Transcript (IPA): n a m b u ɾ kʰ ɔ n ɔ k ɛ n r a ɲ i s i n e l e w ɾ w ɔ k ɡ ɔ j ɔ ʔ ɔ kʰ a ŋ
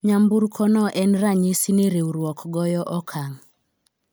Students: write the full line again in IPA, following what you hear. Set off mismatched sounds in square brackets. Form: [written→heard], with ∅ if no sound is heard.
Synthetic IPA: [n→ɲ] a m b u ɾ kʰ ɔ n ɔ [k→ʔ] ɛ n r a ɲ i s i n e [l→ɾ] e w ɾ w ɔ k ɡ ɔ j ɔ ʔ ɔ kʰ a ŋ